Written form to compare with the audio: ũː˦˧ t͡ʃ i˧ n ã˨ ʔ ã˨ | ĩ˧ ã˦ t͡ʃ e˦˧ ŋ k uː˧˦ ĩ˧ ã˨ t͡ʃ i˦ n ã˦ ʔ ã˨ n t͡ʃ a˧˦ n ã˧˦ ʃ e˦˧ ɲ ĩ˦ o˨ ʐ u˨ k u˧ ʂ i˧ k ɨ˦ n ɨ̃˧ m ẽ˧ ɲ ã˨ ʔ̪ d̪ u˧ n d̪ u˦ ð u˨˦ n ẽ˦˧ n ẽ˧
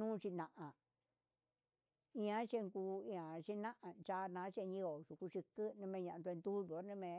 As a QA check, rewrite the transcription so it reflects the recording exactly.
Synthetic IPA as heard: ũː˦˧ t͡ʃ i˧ n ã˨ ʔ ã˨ | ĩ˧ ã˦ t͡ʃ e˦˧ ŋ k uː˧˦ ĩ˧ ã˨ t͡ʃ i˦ n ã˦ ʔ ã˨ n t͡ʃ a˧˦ n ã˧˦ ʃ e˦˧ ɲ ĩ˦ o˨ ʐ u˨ k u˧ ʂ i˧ k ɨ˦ n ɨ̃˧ m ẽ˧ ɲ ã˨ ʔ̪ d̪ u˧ n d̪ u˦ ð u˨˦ n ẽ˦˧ m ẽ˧